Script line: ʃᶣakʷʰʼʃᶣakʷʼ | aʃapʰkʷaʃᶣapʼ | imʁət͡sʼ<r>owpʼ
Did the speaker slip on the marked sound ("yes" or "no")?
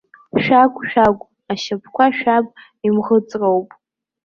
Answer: no